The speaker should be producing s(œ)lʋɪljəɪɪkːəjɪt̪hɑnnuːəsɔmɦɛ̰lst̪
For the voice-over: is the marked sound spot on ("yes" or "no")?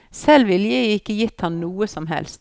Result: no